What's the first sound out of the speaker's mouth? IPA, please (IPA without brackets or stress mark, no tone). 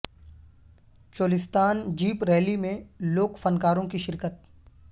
t͡ʃ